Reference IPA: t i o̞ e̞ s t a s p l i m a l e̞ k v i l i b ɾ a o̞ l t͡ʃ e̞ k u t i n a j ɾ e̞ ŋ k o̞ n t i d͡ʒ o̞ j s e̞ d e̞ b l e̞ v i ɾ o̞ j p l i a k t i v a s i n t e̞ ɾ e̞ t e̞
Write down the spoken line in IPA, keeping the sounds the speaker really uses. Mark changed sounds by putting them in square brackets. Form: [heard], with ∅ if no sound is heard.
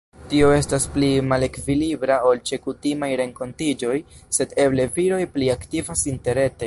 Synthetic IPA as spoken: t i o̞ e̞ s t a s p l i m a l e̞ k v i l i b ɾ a o̞ l t͡ʃ e̞ k u t i [m] a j ɾ e̞ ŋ k o̞ n t i d͡ʒ o̞ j s e̞ d e̞ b l e̞ v i ɾ o̞ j p l i a k t i v a s i n t e̞ ɾ e̞ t e̞